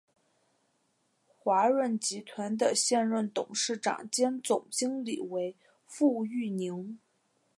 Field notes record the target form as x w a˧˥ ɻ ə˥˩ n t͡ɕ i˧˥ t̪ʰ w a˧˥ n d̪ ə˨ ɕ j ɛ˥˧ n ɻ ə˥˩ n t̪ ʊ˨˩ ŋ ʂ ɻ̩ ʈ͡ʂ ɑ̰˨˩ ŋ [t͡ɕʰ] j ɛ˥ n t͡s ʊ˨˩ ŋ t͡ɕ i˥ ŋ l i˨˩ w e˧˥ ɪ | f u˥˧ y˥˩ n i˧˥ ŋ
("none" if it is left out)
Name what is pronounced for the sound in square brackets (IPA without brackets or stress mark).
t͡ɕ